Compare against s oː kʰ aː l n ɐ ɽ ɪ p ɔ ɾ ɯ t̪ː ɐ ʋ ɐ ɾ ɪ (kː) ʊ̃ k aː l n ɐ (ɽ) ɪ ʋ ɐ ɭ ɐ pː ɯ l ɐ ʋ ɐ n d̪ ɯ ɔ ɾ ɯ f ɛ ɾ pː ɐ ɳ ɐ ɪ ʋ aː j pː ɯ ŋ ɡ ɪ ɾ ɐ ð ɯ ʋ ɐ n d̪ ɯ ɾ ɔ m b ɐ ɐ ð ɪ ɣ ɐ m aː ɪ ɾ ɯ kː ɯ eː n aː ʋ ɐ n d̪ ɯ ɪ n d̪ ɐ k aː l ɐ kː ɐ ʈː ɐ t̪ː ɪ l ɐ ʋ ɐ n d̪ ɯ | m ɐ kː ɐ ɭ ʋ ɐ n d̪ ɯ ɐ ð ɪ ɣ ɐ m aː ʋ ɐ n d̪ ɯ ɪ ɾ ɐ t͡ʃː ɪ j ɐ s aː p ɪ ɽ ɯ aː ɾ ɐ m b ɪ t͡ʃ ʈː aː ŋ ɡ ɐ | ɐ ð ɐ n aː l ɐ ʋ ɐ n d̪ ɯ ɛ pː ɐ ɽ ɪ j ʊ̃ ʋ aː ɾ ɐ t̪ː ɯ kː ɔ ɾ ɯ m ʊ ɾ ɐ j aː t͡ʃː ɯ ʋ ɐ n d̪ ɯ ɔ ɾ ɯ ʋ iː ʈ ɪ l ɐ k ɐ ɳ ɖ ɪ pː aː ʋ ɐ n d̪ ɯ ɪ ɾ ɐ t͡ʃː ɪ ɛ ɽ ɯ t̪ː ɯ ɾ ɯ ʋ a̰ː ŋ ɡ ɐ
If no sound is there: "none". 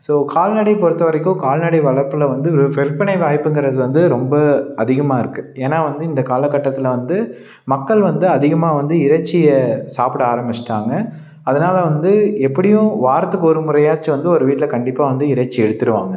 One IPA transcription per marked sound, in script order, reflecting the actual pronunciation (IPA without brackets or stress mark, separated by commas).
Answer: kː, ɽ